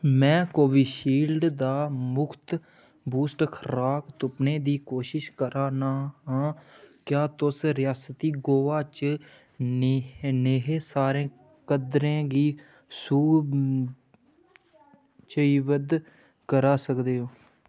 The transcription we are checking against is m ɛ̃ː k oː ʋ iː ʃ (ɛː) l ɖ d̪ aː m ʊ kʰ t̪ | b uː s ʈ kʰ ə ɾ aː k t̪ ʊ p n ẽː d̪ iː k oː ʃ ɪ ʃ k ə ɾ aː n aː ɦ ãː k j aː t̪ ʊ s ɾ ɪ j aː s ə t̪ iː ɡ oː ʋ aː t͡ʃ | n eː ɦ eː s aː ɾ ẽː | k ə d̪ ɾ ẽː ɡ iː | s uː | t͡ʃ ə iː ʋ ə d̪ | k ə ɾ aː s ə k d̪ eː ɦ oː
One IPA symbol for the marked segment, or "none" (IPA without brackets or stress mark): iː